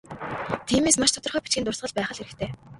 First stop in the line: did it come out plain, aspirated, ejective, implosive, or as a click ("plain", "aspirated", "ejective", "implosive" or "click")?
aspirated